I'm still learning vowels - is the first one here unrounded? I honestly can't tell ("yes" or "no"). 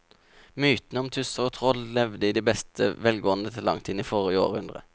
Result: no